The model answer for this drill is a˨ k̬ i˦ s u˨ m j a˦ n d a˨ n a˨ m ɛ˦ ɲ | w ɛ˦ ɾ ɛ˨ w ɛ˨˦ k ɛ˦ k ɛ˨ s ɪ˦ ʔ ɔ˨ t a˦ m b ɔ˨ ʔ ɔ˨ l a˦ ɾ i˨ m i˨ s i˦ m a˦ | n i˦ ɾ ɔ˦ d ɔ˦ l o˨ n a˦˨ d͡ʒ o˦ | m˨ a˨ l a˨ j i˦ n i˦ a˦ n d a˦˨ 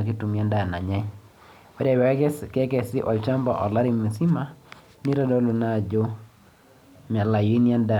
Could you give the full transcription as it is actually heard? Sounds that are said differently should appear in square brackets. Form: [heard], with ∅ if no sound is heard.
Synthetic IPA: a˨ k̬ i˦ [t] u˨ m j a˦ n d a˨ n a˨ [ɲ] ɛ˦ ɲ | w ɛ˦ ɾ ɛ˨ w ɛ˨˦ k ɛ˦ k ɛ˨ s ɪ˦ ʔ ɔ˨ [t͡ʃ] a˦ m b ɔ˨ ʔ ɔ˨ l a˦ ɾ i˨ m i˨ s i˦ m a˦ | n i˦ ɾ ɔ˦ d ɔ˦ l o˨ n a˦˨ d͡ʒ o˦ | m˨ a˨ l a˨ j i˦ n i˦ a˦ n d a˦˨